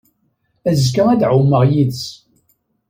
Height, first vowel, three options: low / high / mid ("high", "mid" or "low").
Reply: low